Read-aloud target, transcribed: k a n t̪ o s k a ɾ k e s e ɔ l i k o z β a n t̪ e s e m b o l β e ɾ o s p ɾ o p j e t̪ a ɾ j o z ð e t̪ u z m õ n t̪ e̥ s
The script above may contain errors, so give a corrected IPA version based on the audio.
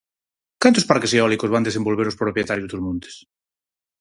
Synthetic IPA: k a n t̪ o s p a ɾ k e s e ɔ l i k o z β a n d̪ e s e m b o l β e ɾ o s p ɾ o p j e t̪ a ɾ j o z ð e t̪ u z m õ n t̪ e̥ s